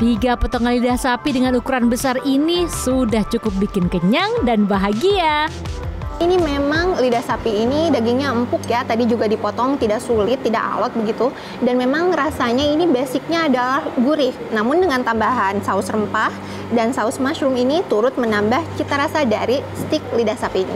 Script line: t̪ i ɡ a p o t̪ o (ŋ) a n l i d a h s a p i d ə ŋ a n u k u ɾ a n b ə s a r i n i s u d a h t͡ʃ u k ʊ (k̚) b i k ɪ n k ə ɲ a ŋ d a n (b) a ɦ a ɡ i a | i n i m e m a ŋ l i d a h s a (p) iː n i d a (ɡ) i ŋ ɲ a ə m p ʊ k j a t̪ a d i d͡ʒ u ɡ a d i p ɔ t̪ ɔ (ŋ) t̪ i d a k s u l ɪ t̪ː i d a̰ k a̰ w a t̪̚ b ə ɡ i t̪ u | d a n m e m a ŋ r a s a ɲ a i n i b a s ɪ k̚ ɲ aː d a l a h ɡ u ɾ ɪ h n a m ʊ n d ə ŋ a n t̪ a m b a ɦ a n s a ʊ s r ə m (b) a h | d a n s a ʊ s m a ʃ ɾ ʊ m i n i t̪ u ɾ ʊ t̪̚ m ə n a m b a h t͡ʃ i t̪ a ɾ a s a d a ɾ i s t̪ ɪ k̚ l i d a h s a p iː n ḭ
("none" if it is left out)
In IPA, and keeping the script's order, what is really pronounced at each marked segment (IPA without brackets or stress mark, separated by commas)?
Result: ŋ, p̚, b, p, ɡ, ŋ, p